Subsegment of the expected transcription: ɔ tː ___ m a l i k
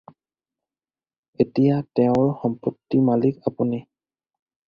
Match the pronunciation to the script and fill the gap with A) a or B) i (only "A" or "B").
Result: B